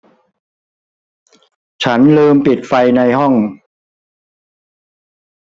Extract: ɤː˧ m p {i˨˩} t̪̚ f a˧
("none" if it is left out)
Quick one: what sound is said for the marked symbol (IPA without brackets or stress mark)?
i˨˩